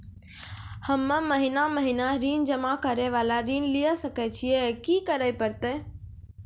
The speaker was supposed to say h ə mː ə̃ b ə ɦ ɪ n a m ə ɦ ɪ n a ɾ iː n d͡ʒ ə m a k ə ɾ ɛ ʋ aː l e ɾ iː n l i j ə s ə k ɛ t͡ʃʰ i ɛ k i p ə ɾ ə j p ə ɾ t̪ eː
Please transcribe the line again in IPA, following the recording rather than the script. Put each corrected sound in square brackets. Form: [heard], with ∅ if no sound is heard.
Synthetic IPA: h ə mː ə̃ [m] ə ɦ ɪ n a m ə ɦ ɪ n a ɾ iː n d͡ʒ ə m a k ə ɾ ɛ ʋ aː l [a] ɾ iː n l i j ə s ə k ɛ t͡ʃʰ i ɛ k i [k] ə ɾ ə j p ə ɾ t̪ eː